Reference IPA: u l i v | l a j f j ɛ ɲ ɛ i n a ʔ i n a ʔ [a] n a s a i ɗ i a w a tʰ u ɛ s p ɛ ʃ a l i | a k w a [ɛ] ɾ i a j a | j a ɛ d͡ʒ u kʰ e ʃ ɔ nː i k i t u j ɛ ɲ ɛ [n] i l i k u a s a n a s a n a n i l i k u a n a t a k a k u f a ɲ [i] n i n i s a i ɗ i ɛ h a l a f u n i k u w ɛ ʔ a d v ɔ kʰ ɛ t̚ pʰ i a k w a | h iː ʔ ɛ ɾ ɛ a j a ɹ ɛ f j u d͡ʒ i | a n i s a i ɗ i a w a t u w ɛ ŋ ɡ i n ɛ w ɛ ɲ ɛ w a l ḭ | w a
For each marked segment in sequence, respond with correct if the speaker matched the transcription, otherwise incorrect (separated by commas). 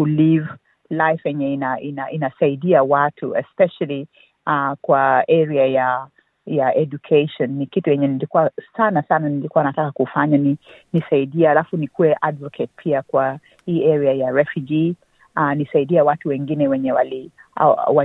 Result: incorrect, correct, correct, incorrect